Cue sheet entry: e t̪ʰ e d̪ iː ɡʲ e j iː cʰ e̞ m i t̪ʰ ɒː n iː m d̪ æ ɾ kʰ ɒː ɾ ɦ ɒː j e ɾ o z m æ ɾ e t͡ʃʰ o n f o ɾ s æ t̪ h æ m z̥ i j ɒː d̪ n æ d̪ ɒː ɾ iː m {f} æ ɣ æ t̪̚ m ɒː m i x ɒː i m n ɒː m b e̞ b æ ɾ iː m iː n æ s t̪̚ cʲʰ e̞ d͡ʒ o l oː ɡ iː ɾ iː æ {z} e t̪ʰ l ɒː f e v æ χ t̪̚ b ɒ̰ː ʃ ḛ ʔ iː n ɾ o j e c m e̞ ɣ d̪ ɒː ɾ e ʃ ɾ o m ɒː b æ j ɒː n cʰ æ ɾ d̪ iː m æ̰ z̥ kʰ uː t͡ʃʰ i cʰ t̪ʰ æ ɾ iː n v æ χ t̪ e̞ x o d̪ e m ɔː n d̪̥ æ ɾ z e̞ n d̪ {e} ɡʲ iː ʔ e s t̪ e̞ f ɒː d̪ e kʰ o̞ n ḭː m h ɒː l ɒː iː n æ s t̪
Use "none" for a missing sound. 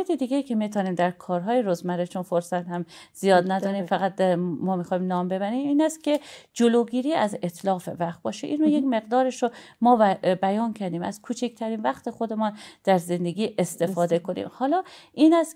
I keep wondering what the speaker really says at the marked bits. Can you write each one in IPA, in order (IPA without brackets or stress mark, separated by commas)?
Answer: f, z, e